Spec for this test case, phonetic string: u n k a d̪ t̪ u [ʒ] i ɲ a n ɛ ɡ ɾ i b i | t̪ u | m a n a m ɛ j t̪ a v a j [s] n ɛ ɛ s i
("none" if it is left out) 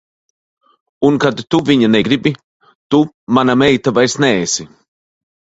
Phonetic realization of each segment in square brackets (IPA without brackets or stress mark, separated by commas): v, s